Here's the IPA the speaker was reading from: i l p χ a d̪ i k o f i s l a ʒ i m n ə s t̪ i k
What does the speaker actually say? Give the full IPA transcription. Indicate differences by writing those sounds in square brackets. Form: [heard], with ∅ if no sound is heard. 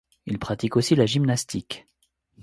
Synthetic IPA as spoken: i l p χ a [t̪] i k o [s] i [∅] l a ʒ i m n [a] s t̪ i k

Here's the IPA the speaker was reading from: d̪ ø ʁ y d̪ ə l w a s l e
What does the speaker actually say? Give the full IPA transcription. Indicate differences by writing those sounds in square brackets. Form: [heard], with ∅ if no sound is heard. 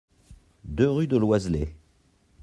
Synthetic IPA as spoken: d̪ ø ʁ y d̪ ə l w a [z] l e

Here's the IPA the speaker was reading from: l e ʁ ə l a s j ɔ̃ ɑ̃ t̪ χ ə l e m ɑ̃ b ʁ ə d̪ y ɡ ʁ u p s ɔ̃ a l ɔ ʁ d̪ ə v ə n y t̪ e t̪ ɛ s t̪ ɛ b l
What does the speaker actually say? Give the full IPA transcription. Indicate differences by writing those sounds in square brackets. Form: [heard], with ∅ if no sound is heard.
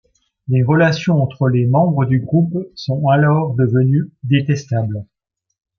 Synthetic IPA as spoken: l e ʁ ə l a s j ɔ̃ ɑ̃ t̪ χ ə l e m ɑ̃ b ʁ ə d̪ y ɡ ʁ u p s ɔ̃ a l ɔ ʁ d̪ ə v ə n y [d̪] e t̪ ɛ s t̪ [a] b l

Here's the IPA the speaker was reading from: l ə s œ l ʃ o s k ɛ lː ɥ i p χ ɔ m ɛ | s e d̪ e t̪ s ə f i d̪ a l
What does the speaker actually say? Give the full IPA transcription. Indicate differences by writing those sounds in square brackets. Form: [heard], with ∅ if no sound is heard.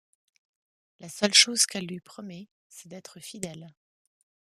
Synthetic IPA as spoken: l [a] s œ l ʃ o [z] k ɛ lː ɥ i p χ ɔ m ɛ | s [ɛ] d̪ [ɛ] t̪ [χ] ə f i d̪ [ɛ] l

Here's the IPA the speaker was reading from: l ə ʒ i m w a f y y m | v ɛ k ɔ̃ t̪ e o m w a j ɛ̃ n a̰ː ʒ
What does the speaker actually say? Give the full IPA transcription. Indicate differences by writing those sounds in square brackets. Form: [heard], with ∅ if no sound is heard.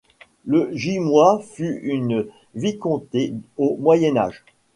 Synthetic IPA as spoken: l ə ʒ i m w a f y y [n] | v [i] k ɔ̃ t̪ e o m w a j [ɛ] n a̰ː ʒ

